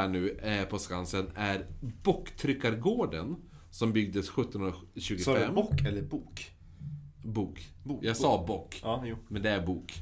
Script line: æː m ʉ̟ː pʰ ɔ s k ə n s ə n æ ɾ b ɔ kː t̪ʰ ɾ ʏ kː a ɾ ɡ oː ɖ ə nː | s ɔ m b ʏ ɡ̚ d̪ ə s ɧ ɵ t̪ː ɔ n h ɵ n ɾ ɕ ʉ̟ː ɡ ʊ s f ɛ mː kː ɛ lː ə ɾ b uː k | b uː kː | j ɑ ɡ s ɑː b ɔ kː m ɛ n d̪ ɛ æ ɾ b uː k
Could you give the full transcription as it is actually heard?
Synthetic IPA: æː ɳ ʉ̟ː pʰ ɔ s k a n s ə n æ ɾ b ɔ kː t̪ʰ ɾ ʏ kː a ɾ ɡ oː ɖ ə n | s ɔ m b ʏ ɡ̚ d̪ ə s ɧ ɵ t̪ː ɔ n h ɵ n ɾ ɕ ʉ̟ː ɡ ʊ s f ɛ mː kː ɛ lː ə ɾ b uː k | b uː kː | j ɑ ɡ s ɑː b ɔ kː m ɛ n d̪ ɛ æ ɾ b uː k